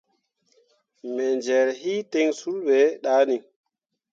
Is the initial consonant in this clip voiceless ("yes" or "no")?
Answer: no